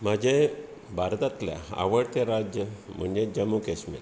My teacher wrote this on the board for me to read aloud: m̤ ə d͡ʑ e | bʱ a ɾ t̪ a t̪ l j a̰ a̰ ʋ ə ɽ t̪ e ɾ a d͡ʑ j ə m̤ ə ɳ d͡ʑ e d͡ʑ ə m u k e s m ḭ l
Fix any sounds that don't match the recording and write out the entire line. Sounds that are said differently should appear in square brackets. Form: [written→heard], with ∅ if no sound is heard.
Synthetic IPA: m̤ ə d͡ʑ e | bʱ a ɾ t̪ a t̪ l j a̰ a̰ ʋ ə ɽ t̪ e ɾ a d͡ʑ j ə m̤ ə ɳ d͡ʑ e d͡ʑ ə m u k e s m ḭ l